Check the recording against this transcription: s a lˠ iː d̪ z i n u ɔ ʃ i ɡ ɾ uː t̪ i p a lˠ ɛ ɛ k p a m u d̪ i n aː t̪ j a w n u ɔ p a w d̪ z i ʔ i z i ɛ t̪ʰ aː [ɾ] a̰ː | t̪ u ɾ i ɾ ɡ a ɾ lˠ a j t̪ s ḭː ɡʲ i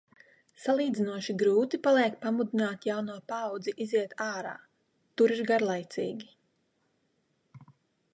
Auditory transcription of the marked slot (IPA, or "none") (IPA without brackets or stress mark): ɾ